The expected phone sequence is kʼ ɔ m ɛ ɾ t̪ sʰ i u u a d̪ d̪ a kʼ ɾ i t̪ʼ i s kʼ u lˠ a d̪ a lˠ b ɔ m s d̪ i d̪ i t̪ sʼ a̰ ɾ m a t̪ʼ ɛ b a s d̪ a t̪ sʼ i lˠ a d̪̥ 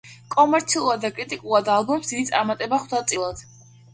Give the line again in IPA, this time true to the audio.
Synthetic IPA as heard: kʼ ɔ m ɛ ɾ t̪ sʰ i u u a d̪ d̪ a kʼ ɾ i t̪ʼ i kʼ u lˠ a d̪ a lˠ b ɔ m s d̪ i d̪ i t̪ sʼ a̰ ɾ m a t̪ʼ ɛ b a χ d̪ a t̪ sʼ i lˠ a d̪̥